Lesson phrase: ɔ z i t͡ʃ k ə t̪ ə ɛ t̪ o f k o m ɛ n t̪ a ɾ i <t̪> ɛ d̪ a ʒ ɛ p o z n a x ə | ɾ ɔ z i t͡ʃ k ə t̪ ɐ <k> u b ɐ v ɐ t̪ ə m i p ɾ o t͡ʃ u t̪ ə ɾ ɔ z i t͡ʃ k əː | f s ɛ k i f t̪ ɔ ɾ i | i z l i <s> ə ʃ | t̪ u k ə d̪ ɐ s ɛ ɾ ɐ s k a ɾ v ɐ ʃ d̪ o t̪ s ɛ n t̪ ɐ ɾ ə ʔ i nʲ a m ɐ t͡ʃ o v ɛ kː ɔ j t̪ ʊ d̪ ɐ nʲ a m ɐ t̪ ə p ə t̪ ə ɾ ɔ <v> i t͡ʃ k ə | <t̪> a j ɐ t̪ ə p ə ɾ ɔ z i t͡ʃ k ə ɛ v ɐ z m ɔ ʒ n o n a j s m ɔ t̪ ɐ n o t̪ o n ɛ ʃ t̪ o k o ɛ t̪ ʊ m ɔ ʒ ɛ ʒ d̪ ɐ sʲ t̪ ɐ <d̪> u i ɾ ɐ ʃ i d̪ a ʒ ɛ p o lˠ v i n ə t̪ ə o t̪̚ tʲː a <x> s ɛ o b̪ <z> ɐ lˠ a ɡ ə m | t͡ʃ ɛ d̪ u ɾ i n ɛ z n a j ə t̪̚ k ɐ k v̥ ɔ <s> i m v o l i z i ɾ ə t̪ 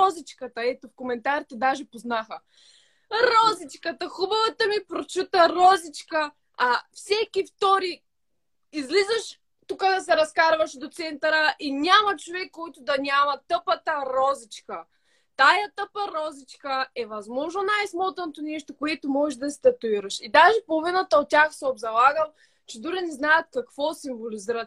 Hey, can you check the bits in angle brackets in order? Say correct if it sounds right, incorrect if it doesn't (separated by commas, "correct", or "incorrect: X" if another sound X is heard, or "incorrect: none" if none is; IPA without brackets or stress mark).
correct, incorrect: x, incorrect: z, incorrect: z, correct, incorrect: t̪, correct, correct, correct